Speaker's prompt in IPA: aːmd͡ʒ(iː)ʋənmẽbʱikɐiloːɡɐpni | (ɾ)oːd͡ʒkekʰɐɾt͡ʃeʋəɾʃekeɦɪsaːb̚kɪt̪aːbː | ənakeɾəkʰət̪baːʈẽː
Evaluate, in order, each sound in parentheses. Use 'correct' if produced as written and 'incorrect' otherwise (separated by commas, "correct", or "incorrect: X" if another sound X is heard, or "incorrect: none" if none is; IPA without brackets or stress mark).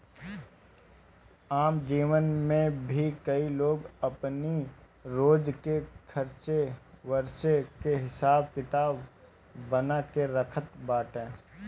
correct, correct